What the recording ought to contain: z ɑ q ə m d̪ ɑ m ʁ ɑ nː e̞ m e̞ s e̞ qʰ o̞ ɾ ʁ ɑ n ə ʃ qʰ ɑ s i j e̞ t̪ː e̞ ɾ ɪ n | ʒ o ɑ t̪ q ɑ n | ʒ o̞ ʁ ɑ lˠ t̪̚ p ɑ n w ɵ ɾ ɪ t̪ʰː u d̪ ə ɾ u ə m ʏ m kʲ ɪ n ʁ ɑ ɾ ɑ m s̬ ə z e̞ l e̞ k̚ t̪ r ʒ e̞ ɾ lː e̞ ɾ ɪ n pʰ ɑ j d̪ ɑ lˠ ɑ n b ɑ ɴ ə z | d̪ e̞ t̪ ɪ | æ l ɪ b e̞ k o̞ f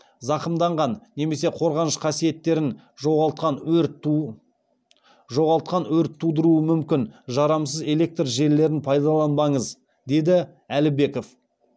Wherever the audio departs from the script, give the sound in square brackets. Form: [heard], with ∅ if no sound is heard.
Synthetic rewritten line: z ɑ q ə m d̪ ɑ [ɴ] ʁ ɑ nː e̞ m e̞ s e̞ qʰ o̞ ɾ ʁ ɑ n ə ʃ qʰ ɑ s i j e̞ t̪ː e̞ ɾ ɪ n | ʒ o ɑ t̪ q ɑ n | ʒ o̞ ʁ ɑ lˠ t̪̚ [q] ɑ n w ɵ ɾ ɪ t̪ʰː u d̪ ə ɾ u ə m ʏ m kʲ ɪ n [ʒ] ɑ ɾ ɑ m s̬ ə z e̞ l e̞ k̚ t̪ r ʒ e̞ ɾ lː e̞ ɾ ɪ n pʰ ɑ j d̪ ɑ lˠ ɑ n b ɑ ɴ ə z | d̪ e̞ [d̪] ɪ | æ l ɪ b e̞ k o̞ f